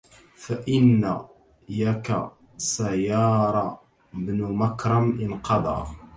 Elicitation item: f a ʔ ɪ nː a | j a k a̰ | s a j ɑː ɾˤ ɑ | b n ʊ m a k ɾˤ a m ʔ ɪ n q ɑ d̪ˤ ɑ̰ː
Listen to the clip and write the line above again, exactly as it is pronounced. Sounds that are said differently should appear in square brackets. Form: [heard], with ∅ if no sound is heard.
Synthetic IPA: f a ʔ ɪ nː a | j a k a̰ | s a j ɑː ɾˤ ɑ | b n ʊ m a k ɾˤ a m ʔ ɪ n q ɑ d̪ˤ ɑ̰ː